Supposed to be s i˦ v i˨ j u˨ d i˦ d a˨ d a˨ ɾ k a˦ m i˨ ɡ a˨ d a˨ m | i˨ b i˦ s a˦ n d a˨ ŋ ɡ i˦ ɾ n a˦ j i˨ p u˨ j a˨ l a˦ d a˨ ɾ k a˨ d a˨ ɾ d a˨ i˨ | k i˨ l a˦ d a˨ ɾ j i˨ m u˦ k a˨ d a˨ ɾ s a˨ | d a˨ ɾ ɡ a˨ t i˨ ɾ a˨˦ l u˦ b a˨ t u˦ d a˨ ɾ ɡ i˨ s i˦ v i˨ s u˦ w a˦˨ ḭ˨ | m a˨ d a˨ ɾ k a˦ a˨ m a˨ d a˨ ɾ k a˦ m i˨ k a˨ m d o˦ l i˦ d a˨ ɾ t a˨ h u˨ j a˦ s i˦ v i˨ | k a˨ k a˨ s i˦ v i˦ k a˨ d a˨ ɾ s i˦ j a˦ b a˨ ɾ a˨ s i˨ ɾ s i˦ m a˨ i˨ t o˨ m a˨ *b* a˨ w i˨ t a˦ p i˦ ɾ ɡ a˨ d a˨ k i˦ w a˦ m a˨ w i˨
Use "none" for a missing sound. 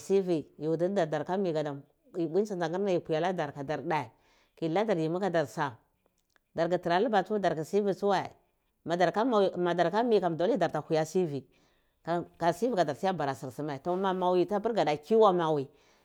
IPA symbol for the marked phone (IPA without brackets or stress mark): m